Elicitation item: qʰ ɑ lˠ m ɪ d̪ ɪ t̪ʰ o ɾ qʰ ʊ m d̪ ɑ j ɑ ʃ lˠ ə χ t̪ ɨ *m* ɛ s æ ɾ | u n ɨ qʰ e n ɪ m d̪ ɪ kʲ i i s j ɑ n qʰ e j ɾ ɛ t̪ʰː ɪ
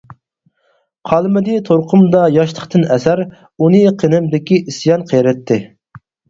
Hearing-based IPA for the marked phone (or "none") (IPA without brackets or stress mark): n